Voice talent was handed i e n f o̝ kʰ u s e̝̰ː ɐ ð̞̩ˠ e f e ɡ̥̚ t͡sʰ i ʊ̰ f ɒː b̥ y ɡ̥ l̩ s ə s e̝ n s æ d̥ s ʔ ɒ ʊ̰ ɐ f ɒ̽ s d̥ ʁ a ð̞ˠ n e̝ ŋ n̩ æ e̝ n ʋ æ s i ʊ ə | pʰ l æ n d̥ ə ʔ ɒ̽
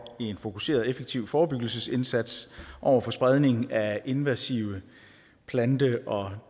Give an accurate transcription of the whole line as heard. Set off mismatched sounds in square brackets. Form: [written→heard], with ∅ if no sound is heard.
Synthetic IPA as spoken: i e n f o̝ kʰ u s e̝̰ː ɐ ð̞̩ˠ e f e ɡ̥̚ t͡sʰ i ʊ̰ f ɒː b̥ y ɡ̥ l̩ s ə s e̝ n s æ d̥ s ʔ ɒ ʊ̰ ɐ f ɒ̽ s [d̥→b̥] ʁ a ð̞ˠ n e̝ ŋ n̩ æ e̝ n ʋ æ s i ʊ ə | pʰ l æ n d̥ ə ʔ ɒ̽